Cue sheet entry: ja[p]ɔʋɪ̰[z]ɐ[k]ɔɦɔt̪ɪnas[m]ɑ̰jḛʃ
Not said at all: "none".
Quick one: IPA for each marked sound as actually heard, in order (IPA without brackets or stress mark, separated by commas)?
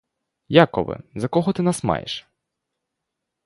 k, z, k, m